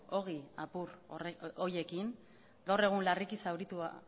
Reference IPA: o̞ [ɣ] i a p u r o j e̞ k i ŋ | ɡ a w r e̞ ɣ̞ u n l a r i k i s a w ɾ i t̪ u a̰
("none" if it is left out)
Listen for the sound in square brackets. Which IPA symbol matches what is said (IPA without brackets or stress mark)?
ɣ